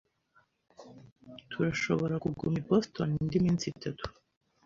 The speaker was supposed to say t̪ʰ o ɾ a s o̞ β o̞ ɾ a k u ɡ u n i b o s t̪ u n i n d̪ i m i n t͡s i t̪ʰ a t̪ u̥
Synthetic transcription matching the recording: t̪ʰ u ɾ a ʃ o̞ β o̞ ɾ a k u ɡ u m i b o s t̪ o n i n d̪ i m i n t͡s i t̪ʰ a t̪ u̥